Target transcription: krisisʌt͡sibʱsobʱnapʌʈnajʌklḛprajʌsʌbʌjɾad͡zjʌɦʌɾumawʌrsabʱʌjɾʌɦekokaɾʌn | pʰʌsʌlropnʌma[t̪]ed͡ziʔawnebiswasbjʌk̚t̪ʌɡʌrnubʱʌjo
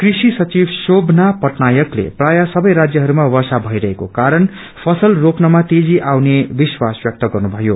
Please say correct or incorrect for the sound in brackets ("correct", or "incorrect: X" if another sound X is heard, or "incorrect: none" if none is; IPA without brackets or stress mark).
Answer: correct